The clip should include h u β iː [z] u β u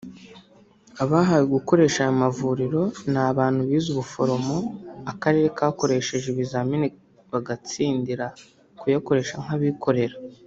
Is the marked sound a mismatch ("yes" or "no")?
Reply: no